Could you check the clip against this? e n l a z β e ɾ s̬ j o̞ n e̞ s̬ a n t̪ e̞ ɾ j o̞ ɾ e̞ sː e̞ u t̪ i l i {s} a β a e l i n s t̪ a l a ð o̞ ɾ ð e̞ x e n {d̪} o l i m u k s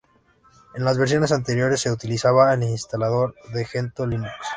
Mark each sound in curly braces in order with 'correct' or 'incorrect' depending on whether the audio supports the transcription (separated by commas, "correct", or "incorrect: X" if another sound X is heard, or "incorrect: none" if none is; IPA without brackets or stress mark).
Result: correct, incorrect: t̪